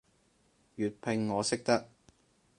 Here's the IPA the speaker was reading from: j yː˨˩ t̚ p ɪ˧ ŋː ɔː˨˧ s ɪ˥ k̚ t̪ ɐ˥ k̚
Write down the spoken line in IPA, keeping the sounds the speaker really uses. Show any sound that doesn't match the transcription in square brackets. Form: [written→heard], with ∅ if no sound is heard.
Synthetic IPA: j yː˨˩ t̚ [p→pʰ] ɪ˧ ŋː ɔː˨˧ s ɪ˥ k̚ t̪ ɐ˥ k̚